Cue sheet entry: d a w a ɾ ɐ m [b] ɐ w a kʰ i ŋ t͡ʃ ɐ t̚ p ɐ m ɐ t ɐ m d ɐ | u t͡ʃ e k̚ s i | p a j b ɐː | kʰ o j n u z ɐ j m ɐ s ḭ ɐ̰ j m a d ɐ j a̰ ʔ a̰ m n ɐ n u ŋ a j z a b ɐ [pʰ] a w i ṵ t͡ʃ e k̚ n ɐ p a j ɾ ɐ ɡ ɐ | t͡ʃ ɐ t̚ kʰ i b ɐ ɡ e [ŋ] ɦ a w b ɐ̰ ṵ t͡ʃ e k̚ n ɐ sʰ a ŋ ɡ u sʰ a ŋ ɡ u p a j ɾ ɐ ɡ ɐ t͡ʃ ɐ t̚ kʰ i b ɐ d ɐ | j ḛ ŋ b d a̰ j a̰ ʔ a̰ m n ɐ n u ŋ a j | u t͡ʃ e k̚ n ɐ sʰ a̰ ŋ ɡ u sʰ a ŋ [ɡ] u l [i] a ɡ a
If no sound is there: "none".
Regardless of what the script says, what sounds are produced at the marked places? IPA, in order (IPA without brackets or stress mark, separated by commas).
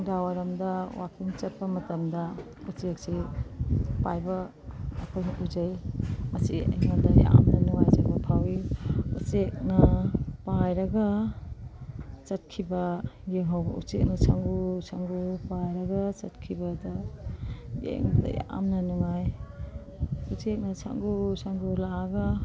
d, pʰ, ŋ, ɡ, a